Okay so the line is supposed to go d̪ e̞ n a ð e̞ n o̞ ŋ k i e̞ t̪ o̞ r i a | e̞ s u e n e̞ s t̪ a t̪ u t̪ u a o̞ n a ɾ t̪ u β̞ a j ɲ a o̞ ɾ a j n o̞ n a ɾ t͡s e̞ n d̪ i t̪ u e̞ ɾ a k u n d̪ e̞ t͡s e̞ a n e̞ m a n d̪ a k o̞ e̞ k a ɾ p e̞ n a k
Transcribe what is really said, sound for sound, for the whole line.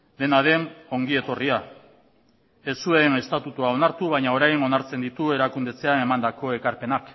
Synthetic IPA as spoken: d̪ e̞ n a ð e̞ n o̞ ŋ ɡ i e̞ t̪ o̞ r i a | e̞ s u e n e̞ s t̪ a t̪ u t̪ u a o̞ n a ɾ t̪ u β̞ a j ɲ a o̞ ɾ a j n o̞ n a ɾ t͡s e̞ n d̪ i t̪ u e̞ ɾ a k u n d̪ e̞ t͡s e̞ a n e̞ m a n d̪ a k o̞ e̞ k a ɾ p e̞ n a k